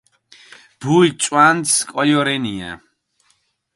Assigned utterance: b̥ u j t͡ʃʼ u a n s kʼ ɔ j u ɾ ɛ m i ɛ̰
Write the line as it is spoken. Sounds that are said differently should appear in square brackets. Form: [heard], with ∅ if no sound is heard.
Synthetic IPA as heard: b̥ u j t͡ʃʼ [w] a n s kʼ ɔ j [ɔ] ɾ ɛ [n] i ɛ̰